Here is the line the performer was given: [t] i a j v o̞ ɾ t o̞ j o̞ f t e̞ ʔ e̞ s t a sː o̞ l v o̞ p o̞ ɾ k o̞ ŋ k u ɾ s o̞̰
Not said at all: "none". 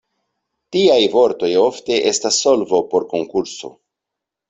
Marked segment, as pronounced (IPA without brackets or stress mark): t